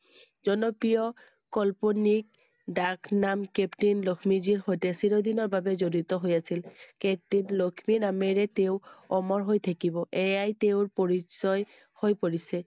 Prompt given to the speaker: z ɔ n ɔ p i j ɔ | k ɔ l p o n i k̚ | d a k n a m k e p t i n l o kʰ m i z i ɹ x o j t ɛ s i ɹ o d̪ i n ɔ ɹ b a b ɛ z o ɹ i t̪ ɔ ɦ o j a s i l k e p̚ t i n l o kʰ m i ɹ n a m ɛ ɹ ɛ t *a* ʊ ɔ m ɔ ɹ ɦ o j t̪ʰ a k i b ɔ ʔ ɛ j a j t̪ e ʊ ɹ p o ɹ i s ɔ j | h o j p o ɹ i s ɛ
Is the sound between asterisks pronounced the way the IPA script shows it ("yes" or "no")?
no